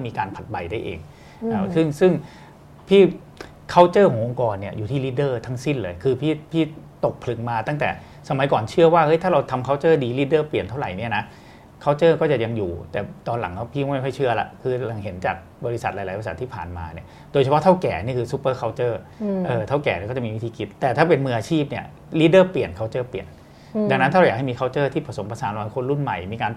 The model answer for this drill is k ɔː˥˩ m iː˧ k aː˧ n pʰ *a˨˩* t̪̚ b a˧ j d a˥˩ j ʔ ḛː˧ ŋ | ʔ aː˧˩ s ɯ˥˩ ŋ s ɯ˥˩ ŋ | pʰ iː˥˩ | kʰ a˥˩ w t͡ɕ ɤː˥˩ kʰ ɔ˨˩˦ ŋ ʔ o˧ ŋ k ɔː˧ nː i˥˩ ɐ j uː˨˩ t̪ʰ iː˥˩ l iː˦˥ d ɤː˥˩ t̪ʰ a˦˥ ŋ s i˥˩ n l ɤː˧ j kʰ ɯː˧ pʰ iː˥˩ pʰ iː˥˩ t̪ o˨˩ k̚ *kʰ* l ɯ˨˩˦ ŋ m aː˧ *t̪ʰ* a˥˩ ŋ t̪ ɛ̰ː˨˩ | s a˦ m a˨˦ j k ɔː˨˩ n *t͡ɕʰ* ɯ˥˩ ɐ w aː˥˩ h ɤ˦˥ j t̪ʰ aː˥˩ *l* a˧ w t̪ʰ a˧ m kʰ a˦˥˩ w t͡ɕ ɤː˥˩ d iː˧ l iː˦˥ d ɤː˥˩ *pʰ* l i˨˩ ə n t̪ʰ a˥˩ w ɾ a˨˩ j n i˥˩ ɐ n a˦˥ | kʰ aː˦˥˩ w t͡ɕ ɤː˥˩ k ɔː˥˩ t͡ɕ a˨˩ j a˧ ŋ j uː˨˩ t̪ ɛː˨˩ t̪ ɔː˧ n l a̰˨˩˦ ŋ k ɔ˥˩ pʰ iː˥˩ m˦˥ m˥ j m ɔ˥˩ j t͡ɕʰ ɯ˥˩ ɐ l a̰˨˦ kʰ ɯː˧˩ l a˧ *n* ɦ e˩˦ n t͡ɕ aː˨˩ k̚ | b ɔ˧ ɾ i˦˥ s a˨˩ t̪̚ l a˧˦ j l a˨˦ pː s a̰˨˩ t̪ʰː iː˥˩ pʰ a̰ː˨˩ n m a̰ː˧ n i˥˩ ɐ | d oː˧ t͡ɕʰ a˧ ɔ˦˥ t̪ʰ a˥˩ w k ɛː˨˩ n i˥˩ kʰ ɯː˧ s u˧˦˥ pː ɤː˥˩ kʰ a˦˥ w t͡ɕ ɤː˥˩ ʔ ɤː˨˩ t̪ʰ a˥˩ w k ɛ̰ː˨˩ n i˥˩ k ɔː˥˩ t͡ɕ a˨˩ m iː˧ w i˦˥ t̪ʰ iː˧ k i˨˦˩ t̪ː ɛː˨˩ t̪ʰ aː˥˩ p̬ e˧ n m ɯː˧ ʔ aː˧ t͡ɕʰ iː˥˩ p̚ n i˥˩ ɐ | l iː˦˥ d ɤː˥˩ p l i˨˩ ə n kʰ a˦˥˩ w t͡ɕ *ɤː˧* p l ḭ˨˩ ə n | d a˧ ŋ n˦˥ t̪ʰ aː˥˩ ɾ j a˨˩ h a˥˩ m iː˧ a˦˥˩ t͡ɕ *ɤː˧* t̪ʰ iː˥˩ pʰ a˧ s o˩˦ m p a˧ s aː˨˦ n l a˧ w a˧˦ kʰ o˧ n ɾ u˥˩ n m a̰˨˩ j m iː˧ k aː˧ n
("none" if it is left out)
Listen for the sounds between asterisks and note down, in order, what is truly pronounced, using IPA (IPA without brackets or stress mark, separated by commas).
a˨˩, pʰ, t̪, t͡ɕʰ, ɾ, p, ŋ, ɤː˥˩, ɤː˥˩